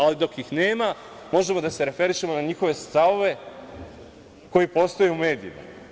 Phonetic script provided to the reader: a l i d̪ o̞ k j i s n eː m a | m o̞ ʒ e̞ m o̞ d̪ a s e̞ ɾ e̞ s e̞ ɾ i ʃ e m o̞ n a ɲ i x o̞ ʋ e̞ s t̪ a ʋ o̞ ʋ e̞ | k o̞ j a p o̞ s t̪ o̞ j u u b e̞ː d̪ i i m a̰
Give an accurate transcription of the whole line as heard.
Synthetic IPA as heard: a l i d̪ o̞ k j i x n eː m a | m o̞ ʒ e̞ m o̞ d̪ a s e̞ ɾ e̞ f e̞ ɾ i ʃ e m o̞ n a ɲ i x o̞ ʋ e̞ s t̪ a ʋ o̞ ʋ e̞ | k o̞ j i p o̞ s t̪ o̞ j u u m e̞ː d̪ i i m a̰